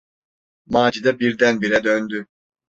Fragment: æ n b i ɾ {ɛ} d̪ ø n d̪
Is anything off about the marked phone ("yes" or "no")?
no